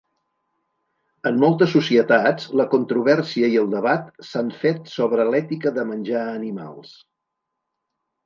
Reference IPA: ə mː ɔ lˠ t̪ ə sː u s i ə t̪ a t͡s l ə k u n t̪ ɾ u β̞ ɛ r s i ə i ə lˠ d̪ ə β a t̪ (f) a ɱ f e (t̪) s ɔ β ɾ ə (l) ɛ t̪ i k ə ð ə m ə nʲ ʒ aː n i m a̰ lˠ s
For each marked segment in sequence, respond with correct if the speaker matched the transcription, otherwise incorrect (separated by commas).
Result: incorrect, correct, correct